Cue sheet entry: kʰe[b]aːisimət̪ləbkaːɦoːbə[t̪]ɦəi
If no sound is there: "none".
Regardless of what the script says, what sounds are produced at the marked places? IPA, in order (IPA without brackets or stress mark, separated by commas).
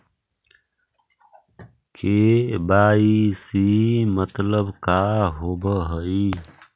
b, none